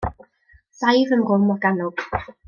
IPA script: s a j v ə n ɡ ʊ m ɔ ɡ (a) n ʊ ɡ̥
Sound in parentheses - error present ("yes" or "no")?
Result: no